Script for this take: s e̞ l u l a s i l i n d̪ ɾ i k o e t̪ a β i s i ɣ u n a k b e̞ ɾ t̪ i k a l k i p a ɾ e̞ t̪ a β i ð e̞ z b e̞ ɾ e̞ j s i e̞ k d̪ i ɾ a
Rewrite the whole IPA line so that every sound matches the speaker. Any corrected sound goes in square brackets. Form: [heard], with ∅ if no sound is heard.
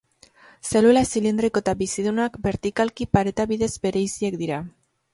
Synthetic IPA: s e̞ l u l a s i l i n d̪ ɾ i k o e t̪ a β i s i [ð] u n a k b e̞ ɾ t̪ i k a l k i p a ɾ e̞ t̪ a β i ð e̞ z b e̞ ɾ e̞ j s i e̞ k d̪ i ɾ a

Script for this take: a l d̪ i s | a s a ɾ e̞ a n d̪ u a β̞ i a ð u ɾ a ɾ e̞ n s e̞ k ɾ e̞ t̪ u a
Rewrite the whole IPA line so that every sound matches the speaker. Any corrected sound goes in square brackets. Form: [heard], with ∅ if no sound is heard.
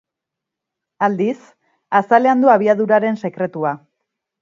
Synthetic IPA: a l d̪ i s | a s a [l] e̞ a n d̪ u a β̞ i a ð u ɾ a ɾ e̞ n s e̞ k ɾ e̞ t̪ u a

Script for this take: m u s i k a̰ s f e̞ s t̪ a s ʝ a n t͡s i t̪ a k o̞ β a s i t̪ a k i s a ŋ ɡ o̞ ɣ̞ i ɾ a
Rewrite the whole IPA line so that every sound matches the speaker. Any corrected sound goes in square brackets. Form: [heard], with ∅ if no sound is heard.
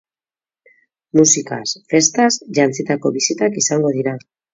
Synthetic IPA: m u s i k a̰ s f e̞ s t̪ a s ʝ a n t͡s i t̪ a k o̞ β [i] s i t̪ a k i s a ŋ ɡ o̞ [ð̞] i ɾ a

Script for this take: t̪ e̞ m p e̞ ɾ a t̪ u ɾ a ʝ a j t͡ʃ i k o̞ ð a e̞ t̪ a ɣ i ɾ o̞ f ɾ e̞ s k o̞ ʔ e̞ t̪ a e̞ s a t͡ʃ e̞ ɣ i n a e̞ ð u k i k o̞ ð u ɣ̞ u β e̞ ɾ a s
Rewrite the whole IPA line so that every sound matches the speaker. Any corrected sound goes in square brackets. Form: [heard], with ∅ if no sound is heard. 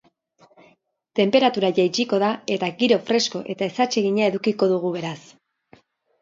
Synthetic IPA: t̪ e̞ m p e̞ ɾ a t̪ u ɾ a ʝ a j t͡ʃ i k o̞ ð a e̞ t̪ a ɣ i ɾ o̞ f ɾ e̞ s k o̞ ʔ e̞ t̪ a e̞ s a t͡ʃ e̞ ɣ i [ɲ] a e̞ ð u k i k o̞ ð u ɣ̞ u β e̞ ɾ a s

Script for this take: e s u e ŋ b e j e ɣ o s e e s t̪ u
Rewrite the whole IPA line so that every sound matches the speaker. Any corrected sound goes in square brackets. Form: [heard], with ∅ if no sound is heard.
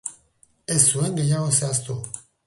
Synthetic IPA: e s u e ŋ [ɡ] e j [a] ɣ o s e [a] s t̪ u

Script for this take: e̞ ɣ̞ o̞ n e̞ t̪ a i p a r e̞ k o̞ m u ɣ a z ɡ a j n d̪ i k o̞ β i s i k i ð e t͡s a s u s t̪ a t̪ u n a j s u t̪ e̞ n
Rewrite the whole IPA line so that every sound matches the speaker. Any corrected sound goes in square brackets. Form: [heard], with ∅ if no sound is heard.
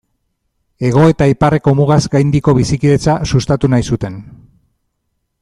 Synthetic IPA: e̞ ɣ̞ o̞ [∅] e̞ t̪ a i p a r e̞ k o̞ m u ɣ a z ɡ a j n d̪ i k o̞ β i s i k i ð e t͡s a s u s t̪ a t̪ u n a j s u t̪ e̞ n

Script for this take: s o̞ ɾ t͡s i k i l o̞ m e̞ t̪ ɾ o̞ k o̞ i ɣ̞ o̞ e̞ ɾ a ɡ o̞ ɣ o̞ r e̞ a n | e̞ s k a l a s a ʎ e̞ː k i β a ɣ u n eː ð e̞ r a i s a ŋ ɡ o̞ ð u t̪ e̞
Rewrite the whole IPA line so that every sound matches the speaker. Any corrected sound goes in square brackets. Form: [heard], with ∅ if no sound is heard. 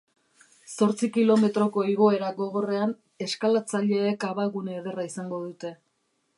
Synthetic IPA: s o̞ ɾ t͡s i k i l o̞ m e̞ t̪ ɾ o̞ k o̞ i ɣ̞ o̞ e̞ ɾ a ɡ o̞ ɣ o̞ r e̞ a n | e̞ s k a l a [t͡s] a ʎ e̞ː k [a] β a ɣ u n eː ð e̞ r a i s a ŋ ɡ o̞ ð u t̪ e̞

